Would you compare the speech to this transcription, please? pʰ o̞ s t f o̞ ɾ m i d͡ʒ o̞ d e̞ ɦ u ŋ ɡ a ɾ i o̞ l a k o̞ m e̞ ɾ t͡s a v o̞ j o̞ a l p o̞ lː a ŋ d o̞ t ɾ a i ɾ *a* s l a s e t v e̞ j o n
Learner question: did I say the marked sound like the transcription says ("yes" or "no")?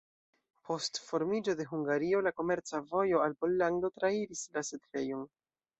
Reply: no